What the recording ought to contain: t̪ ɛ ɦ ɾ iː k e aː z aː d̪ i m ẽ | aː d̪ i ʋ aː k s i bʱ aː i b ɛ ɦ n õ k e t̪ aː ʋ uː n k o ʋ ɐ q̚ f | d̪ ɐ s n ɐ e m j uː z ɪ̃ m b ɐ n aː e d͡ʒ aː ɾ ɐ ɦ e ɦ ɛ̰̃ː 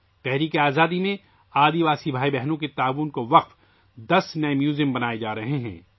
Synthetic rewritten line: t̪ ɛ ɦ ɾ iː k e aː z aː d̪ i m ẽ | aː d̪ i ʋ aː s i bʱ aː i b ɛ ɦ n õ k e t̪ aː ʋ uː n k o ʋ ɐ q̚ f | d̪ ɐ s n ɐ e m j uː z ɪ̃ m b ɐ n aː e d͡ʒ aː ɾ ɐ ɦ e ɦ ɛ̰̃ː